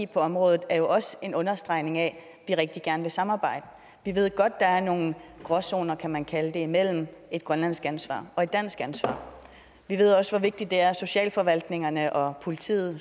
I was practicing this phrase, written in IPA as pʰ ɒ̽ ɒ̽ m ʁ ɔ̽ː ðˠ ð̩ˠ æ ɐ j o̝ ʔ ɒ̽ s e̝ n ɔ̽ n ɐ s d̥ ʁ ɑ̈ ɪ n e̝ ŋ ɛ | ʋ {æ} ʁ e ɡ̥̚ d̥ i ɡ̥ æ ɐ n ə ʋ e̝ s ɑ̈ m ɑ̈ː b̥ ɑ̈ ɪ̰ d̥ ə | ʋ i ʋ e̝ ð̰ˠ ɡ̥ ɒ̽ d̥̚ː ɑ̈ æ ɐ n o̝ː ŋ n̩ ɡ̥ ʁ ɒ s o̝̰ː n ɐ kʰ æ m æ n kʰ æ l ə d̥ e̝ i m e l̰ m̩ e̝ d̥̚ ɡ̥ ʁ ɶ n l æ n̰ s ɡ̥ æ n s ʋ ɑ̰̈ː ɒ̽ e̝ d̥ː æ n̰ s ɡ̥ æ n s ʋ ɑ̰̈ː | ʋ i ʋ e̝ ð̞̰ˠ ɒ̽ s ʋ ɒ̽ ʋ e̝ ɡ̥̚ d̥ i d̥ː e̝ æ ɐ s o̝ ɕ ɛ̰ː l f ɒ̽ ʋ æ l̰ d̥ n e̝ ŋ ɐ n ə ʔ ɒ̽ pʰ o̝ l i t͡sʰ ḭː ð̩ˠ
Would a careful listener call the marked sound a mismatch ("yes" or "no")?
yes